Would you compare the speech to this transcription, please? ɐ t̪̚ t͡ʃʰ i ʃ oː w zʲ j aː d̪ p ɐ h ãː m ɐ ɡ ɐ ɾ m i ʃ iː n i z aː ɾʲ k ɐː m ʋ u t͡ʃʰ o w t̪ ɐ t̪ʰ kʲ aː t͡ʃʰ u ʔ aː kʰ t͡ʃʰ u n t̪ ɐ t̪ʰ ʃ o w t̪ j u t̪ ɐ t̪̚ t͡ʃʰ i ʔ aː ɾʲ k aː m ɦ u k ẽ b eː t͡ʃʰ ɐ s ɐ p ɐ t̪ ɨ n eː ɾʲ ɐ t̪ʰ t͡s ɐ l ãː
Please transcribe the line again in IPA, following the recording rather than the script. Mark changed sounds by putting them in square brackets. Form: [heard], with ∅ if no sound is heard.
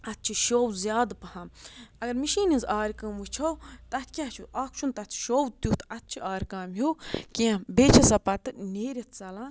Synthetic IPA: ɐ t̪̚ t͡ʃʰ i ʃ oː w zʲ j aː d̪ p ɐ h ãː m ɐ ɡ ɐ ɾ m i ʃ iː n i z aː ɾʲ k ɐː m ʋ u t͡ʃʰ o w t̪ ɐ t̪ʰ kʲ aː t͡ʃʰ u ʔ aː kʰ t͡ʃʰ u n t̪ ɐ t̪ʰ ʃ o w t̪ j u t̪ ɐ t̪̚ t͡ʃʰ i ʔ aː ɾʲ k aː m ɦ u k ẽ b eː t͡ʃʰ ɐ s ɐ p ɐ t̪ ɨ n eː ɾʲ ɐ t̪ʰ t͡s ɐ l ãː